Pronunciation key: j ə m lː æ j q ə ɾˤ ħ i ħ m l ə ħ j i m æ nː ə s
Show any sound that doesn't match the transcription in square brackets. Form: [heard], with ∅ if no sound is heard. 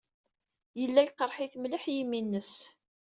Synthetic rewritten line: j ə [∅] lː æ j q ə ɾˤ ħ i [θ] m l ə ħ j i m [i] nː ə s

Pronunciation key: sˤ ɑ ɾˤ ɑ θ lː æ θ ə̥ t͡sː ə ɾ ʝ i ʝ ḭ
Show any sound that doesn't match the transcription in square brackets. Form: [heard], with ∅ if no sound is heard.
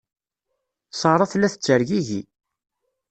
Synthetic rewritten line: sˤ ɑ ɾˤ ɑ θ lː æ θ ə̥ t͡sː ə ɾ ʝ i ʝ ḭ

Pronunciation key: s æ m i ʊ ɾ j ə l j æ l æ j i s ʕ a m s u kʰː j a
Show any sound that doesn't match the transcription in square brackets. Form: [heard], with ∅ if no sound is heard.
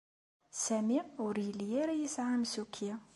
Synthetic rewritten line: s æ m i ʊ ɾ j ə l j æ [ɾ] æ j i s ʕ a m s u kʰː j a

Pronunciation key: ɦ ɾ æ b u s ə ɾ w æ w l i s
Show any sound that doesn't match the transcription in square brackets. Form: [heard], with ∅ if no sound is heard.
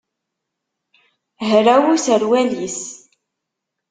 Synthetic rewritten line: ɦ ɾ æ [w] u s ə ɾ w æ [∅] l i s

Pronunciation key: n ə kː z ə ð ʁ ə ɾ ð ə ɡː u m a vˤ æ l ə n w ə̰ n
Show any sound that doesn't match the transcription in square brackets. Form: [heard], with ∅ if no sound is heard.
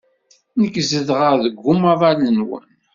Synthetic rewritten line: n ə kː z ə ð ʁ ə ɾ ð ə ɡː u m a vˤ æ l ə n w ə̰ n

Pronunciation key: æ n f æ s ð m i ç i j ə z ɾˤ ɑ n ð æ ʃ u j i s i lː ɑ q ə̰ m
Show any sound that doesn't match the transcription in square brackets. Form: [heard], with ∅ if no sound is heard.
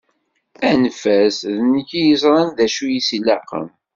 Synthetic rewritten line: æ n f æ s ð [n] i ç i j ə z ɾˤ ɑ n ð æ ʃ u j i s i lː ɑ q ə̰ m

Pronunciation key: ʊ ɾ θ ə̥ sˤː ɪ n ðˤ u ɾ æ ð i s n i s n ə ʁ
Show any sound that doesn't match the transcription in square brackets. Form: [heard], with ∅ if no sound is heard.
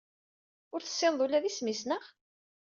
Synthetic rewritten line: ʊ ɾ θ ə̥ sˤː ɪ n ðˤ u [l] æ ð i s [m] i s n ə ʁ

